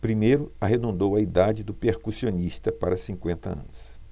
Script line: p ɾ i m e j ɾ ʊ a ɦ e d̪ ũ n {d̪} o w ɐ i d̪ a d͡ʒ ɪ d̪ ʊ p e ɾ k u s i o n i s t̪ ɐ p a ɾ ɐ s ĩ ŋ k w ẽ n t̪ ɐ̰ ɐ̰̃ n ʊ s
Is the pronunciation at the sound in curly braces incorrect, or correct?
correct